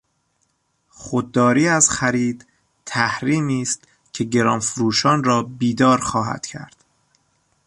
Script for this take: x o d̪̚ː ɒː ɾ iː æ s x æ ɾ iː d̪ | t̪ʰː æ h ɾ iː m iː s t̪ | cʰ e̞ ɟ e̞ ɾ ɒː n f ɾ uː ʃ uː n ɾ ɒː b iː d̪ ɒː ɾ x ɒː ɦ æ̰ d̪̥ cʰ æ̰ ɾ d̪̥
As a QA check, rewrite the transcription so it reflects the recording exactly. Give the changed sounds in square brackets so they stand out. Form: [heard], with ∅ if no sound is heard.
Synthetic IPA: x o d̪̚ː ɒː ɾ iː æ [z] x æ ɾ iː d̪ | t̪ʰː æ h ɾ iː m iː s t̪ | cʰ e̞ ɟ e̞ ɾ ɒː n f ɾ uː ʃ [ɒː] n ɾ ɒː b iː d̪ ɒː ɾ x ɒː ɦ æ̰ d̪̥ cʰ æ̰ ɾ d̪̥

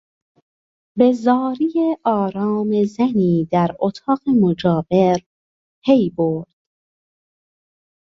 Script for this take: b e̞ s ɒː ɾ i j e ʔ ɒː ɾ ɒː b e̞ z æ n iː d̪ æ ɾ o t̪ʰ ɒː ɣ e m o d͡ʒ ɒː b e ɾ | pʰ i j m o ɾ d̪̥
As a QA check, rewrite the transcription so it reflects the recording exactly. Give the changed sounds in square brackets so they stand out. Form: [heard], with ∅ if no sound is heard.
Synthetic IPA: b e̞ [z] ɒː ɾ i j e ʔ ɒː ɾ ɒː [m] e̞ z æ n iː d̪ æ ɾ o t̪ʰ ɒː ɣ e m o d͡ʒ ɒː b e ɾ | pʰ [e] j [b] o ɾ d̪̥

